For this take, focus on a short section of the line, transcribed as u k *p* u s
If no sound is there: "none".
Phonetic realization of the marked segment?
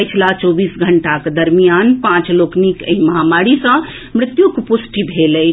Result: p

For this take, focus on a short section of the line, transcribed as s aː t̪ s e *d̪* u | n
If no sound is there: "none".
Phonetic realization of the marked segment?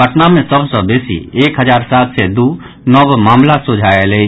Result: d̪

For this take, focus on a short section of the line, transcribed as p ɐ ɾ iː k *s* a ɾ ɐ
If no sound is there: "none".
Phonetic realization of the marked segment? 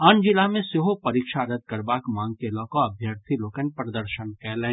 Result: ʃ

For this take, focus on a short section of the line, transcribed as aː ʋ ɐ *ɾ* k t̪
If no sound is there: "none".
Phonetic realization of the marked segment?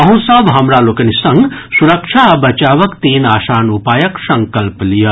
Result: none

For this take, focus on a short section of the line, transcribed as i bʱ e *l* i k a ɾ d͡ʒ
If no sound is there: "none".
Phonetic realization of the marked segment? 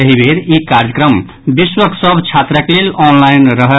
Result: ɾ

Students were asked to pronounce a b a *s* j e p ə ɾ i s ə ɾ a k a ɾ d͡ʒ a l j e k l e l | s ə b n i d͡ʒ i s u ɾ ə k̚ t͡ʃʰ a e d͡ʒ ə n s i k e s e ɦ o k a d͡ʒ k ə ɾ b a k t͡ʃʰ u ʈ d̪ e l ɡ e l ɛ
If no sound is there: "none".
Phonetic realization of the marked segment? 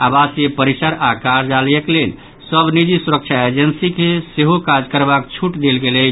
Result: s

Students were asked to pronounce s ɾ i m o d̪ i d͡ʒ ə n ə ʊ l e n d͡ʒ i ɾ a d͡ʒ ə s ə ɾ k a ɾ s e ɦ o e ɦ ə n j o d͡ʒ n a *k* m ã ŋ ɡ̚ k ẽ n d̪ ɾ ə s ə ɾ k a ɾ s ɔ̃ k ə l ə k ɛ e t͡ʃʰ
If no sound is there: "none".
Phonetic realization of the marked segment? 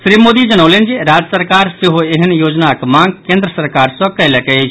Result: k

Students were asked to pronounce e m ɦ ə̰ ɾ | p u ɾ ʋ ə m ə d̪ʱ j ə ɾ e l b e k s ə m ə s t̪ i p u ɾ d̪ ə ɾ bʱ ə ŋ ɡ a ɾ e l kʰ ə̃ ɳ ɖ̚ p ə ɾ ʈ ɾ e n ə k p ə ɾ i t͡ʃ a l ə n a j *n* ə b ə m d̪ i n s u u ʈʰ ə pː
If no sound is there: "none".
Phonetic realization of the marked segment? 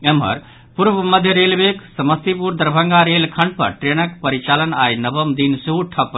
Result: n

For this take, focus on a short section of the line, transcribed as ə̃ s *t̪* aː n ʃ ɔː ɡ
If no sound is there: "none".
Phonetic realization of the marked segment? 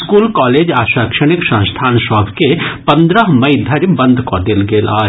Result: t̪ʰ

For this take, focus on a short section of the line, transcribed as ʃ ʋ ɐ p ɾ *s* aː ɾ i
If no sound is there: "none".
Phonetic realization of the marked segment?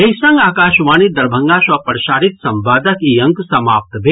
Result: ʃ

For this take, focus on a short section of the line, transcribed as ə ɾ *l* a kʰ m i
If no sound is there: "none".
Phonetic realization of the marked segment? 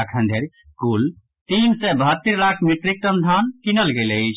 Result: l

